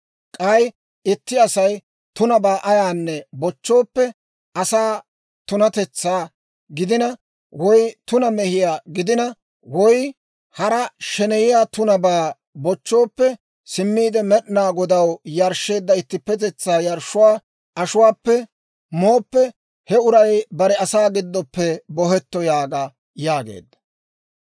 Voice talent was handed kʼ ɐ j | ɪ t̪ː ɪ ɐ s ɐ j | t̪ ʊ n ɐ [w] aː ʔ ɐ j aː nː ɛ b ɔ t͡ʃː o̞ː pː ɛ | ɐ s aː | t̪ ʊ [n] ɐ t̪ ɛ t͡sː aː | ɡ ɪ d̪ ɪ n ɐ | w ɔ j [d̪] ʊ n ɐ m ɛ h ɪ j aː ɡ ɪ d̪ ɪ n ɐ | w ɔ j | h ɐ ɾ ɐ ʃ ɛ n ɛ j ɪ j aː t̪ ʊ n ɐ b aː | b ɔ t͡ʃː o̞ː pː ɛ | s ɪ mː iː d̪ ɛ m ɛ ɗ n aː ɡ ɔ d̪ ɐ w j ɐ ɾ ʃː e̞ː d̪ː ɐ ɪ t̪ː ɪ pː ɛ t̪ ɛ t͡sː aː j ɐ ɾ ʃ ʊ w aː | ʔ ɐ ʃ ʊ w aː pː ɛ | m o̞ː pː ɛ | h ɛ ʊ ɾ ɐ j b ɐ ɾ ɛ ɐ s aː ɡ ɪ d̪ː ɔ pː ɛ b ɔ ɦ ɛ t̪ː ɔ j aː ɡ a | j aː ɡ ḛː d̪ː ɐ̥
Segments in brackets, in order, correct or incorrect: incorrect: b, correct, incorrect: t̪

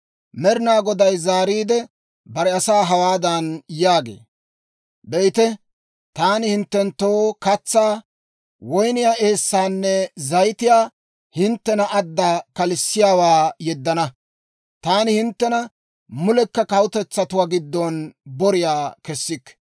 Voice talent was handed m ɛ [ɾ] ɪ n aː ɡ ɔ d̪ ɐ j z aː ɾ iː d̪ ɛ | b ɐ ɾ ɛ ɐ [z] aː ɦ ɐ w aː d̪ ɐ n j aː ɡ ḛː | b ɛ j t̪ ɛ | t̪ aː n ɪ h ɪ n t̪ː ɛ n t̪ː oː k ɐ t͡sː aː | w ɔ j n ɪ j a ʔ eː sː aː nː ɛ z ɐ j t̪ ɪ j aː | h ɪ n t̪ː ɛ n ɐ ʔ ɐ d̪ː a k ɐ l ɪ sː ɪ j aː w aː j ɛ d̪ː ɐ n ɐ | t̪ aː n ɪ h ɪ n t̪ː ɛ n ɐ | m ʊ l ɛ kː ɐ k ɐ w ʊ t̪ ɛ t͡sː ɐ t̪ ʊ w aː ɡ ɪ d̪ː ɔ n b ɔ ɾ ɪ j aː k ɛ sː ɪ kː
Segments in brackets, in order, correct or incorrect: correct, incorrect: s

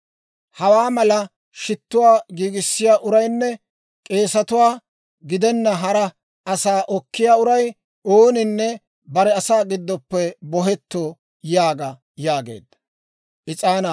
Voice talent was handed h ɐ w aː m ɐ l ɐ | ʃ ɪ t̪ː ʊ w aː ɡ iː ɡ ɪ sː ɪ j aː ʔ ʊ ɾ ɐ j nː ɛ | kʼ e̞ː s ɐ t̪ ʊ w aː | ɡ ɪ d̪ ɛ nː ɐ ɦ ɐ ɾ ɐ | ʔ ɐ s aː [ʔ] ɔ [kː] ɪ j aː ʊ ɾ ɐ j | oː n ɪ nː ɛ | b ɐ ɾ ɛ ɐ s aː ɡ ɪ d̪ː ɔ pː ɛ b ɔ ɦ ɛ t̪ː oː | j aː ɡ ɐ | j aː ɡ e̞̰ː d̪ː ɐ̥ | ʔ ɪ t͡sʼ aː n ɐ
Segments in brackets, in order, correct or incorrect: correct, correct

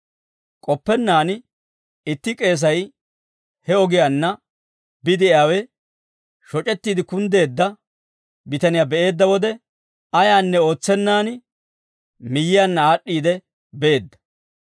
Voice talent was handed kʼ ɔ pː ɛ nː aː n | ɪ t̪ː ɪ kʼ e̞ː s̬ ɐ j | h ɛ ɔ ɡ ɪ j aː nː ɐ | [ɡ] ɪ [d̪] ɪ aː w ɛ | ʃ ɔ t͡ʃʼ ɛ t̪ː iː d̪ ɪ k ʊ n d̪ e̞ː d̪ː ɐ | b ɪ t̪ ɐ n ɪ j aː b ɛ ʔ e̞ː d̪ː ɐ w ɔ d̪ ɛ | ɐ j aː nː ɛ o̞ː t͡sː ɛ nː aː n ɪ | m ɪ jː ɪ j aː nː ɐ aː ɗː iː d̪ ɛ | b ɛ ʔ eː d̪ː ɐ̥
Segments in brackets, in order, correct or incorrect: incorrect: b, correct

